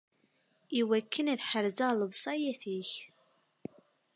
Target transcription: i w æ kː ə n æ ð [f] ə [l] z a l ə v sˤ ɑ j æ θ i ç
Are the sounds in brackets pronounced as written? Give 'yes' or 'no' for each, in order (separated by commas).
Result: no, no